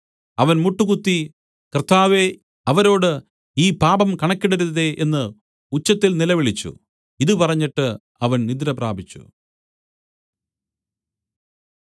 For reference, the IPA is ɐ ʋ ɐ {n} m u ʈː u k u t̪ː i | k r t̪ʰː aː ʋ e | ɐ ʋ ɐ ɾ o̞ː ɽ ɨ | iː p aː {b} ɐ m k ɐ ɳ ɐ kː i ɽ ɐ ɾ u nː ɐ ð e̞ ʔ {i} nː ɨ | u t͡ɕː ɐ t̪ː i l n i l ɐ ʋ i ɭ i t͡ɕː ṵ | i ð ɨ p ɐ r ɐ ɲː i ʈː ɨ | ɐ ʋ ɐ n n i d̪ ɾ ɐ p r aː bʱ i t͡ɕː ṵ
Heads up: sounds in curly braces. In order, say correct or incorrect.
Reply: correct, correct, incorrect

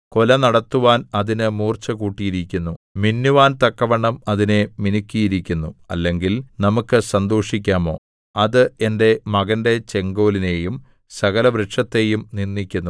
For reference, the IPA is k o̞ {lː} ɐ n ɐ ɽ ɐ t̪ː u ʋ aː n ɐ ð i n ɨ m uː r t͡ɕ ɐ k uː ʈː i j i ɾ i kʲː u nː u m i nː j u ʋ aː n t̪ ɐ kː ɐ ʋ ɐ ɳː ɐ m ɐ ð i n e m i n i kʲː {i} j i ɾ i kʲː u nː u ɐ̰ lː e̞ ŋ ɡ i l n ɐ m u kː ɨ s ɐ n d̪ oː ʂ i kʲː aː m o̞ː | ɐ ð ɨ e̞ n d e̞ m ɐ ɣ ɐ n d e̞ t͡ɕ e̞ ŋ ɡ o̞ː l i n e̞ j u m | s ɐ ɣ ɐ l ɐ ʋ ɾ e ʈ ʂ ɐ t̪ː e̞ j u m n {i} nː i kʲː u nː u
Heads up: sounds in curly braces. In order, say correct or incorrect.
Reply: incorrect, correct, correct

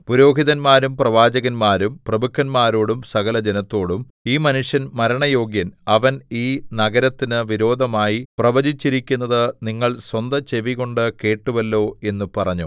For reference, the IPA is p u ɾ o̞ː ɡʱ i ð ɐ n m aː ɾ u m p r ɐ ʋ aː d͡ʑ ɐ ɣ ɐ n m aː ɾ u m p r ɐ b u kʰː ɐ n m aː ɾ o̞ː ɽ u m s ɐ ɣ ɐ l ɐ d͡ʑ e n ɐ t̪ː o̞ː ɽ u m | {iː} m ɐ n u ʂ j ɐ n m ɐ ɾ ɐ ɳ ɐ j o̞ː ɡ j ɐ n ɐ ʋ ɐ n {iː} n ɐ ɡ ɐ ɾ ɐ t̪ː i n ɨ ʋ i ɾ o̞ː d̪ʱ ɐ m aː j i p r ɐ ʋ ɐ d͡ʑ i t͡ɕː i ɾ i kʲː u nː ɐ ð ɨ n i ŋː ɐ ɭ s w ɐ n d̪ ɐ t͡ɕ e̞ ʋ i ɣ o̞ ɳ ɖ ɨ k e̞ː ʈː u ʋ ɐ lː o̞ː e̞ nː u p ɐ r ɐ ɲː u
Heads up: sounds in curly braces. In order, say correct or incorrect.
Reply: correct, correct

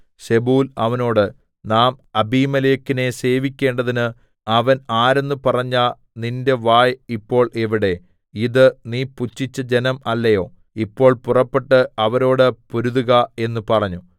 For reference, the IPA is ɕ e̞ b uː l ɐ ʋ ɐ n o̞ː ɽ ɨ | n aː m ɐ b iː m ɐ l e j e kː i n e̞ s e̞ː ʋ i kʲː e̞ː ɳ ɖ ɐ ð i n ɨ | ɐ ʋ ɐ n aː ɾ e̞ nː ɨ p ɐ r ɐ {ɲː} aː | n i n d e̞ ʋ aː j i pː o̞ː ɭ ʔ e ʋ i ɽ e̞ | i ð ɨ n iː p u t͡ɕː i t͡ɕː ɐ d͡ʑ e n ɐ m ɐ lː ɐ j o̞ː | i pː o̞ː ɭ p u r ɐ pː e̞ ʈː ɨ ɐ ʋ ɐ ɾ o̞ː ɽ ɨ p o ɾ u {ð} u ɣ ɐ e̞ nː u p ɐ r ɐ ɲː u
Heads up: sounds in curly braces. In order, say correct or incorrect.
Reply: correct, correct

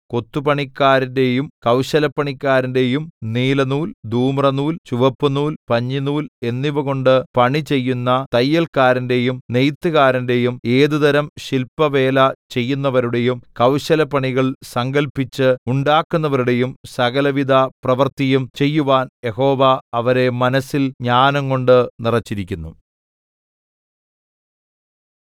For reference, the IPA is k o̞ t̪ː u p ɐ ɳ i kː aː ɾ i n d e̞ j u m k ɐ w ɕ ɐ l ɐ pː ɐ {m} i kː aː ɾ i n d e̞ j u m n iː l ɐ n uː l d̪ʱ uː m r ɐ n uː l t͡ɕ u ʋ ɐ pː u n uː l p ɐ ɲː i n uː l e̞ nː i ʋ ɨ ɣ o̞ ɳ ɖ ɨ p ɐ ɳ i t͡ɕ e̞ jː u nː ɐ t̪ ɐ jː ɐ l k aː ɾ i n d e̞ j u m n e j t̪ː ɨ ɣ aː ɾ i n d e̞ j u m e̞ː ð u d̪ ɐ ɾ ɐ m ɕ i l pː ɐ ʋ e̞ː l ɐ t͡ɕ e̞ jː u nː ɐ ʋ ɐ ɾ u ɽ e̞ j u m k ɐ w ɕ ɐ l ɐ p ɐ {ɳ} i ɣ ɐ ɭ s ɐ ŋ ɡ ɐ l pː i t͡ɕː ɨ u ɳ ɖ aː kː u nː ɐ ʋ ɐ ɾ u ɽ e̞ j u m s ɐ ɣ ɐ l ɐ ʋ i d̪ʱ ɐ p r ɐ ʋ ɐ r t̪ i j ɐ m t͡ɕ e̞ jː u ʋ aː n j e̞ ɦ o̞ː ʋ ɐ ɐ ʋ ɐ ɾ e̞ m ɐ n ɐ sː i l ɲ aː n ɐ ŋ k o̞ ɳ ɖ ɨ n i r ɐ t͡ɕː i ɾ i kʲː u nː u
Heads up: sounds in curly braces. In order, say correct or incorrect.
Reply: incorrect, correct

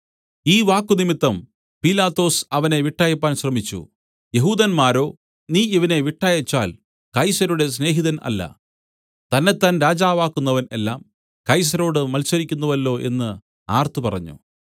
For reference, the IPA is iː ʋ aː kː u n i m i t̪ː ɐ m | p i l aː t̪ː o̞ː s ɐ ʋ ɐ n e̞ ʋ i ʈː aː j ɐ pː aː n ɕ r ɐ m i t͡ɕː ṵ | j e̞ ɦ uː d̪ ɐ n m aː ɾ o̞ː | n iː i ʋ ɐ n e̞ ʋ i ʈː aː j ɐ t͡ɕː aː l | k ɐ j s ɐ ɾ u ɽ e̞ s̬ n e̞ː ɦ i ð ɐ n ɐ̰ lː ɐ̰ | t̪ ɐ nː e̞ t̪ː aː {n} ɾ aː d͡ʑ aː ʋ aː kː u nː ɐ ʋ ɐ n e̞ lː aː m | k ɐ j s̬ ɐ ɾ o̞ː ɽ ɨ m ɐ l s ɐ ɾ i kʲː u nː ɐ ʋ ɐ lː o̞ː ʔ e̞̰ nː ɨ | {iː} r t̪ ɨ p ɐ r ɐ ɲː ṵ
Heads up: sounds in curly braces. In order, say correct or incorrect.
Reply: correct, incorrect

